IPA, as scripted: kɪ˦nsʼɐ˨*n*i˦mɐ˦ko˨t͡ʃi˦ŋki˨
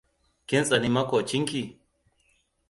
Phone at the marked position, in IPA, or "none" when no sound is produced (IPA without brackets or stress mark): n